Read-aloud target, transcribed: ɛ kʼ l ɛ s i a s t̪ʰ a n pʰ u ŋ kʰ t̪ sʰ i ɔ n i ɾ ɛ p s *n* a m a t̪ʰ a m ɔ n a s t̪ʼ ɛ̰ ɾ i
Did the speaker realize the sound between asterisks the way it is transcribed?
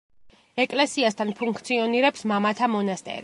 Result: no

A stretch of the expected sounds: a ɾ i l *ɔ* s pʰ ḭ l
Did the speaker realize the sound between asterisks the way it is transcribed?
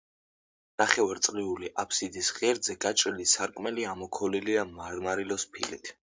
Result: yes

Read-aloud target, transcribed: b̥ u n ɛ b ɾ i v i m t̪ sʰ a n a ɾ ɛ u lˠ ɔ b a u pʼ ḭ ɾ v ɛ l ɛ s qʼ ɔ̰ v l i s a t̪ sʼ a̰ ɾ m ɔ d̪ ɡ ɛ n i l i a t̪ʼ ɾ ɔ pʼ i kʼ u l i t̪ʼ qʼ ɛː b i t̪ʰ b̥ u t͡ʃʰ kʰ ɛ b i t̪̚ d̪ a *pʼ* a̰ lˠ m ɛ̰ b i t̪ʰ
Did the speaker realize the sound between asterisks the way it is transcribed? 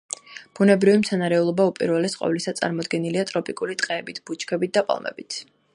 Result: yes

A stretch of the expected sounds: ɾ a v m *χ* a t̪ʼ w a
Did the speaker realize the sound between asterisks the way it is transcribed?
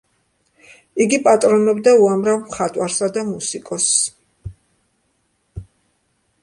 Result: yes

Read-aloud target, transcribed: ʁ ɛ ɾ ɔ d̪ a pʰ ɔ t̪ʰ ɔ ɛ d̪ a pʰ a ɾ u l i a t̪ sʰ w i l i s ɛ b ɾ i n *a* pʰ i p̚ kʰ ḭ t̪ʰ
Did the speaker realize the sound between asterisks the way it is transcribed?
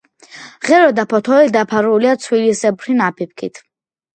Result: yes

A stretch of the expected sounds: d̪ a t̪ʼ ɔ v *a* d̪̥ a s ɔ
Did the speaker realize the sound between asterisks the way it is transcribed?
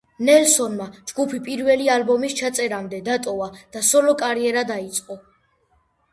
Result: yes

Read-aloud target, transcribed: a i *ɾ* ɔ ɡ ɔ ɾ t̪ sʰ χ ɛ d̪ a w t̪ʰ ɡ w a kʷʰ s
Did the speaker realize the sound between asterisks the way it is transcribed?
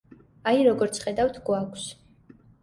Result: yes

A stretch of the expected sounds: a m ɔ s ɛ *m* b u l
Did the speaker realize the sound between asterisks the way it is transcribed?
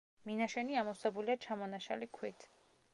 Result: no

